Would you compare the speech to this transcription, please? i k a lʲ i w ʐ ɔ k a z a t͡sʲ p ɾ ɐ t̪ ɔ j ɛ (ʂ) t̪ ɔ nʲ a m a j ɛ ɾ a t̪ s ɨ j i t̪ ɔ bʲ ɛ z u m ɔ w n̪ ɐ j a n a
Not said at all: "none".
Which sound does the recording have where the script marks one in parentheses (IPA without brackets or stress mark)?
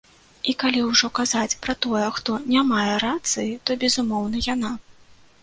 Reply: x